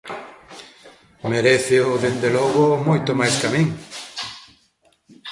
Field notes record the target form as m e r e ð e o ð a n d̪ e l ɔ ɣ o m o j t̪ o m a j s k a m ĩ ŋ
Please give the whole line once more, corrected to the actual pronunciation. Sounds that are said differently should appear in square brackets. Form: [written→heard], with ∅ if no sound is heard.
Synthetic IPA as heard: m e [r→ɾ] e [ð→θ] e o ð [a→e] n d̪ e l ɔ ɣ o m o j t̪ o m a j s k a m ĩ ŋ